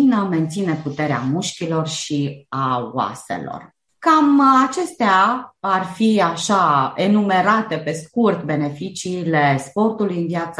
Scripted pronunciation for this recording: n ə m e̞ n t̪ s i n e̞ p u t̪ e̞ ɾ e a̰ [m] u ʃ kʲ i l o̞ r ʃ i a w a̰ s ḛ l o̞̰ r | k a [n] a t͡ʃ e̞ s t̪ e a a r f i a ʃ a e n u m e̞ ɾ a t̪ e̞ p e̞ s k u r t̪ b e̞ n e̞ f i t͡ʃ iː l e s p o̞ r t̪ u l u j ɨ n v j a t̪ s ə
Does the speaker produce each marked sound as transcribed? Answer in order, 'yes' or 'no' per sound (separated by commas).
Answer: yes, no